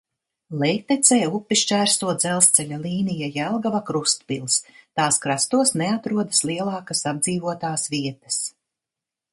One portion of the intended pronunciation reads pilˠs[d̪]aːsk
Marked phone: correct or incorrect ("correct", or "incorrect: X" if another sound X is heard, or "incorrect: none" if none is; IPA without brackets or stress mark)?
incorrect: t̪